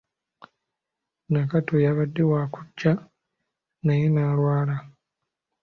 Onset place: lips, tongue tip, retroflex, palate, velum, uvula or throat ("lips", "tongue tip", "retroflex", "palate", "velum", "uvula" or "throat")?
tongue tip